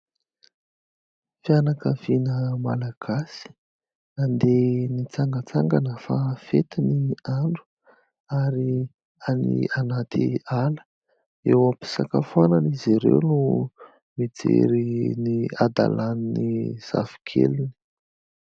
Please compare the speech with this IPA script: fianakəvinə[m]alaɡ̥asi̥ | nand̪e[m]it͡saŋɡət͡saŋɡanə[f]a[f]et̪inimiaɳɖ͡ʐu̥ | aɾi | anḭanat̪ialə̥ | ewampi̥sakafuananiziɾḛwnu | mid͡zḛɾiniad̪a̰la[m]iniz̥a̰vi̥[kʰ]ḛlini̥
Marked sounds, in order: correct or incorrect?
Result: correct, incorrect, correct, correct, incorrect, correct

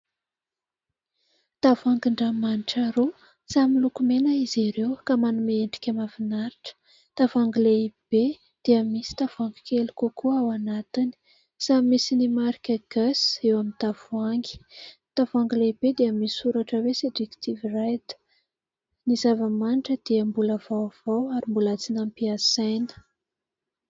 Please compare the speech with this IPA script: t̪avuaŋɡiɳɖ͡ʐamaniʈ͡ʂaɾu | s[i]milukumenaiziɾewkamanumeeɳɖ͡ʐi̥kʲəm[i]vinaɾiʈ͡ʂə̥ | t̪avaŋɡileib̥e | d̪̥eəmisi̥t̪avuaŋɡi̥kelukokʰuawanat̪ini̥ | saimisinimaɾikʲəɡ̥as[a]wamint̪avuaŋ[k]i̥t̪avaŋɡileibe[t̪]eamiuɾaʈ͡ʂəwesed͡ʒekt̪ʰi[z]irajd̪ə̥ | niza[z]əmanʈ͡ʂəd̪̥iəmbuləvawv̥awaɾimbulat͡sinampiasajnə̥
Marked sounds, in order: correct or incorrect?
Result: incorrect, incorrect, incorrect, incorrect, incorrect, incorrect, incorrect

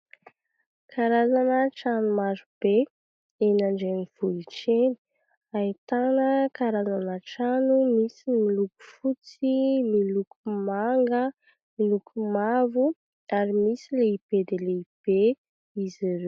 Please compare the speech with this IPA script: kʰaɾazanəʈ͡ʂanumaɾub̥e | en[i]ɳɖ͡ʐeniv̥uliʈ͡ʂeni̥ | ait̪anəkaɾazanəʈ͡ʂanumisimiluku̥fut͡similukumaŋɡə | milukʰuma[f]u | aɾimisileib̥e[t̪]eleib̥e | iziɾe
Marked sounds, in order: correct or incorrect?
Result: incorrect, incorrect, incorrect

